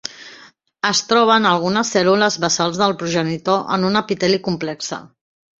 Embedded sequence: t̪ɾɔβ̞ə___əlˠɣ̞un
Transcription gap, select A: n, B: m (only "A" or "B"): A